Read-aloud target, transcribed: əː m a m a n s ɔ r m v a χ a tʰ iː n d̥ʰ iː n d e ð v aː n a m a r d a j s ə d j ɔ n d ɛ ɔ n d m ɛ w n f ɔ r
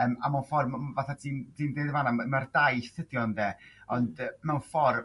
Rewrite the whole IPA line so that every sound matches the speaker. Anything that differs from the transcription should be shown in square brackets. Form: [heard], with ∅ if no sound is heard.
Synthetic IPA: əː m a m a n [f] ɔ r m v a [θ] a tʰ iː n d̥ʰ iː n d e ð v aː n a m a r d a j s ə d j ɔ n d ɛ ɔ n d m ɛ w n f ɔ r